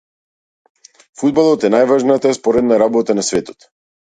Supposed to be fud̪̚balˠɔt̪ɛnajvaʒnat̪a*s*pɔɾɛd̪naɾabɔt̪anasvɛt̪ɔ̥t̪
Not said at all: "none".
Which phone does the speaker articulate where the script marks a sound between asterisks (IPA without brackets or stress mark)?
s